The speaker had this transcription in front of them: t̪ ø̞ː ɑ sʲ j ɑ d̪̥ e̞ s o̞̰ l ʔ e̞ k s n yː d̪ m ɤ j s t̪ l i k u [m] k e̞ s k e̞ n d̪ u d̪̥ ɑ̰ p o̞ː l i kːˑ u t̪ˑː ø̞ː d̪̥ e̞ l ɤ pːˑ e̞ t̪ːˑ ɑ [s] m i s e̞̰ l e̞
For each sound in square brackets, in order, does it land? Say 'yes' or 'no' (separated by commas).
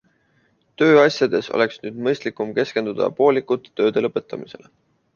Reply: yes, no